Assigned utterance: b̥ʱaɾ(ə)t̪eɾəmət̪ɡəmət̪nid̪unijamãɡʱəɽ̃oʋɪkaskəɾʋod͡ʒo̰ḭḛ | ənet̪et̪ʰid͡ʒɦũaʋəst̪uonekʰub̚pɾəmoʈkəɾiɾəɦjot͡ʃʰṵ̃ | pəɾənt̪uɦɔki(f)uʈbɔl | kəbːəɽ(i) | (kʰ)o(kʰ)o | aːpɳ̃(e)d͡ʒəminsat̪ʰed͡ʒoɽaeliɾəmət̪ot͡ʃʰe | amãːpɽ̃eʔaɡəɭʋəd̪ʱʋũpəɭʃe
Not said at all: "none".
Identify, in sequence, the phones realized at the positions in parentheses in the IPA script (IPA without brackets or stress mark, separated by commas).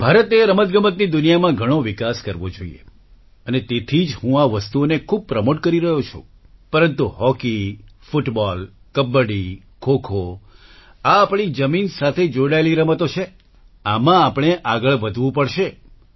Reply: ə, f, i, kʰ, kʰ, i